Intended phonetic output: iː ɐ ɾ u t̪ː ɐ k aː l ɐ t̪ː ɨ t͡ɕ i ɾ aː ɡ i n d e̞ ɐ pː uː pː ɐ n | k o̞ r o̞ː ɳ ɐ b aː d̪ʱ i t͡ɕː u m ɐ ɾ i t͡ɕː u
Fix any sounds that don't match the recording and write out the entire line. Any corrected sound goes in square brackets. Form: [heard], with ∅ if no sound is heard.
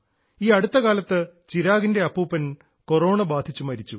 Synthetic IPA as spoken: iː ɐ [ɽ] u t̪ː ɐ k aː l ɐ t̪ː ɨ t͡ɕ i ɾ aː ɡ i n d e̞ ɐ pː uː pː ɐ n | k o̞ r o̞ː ɳ ɐ b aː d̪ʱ i t͡ɕː u m ɐ ɾ i t͡ɕː u